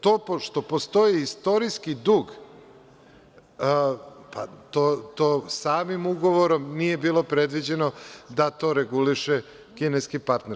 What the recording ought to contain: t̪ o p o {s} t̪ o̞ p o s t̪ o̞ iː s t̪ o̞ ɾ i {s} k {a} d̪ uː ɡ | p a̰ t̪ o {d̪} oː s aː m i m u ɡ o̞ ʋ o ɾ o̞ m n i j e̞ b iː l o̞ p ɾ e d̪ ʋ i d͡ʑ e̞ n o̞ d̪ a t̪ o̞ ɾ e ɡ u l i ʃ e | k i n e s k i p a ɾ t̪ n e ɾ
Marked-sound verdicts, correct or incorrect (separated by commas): incorrect, correct, incorrect, incorrect